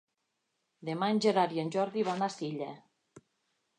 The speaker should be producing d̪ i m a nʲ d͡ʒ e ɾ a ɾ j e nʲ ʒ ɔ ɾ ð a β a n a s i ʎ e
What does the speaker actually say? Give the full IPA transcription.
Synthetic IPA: d̪ e m a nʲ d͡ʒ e ɾ a ɾ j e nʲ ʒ ɔ ɾ ð i β a n a s i ʎ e